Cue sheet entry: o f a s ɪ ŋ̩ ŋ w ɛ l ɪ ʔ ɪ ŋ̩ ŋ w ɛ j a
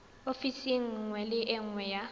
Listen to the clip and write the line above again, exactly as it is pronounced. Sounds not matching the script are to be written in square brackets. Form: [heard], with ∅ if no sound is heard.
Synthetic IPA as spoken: o f [i] s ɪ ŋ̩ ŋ w ɛ l ɪ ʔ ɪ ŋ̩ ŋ w ɛ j a